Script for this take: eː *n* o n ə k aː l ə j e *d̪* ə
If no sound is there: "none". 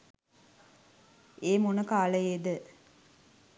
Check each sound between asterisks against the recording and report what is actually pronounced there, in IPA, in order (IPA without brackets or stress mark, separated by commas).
m, d̪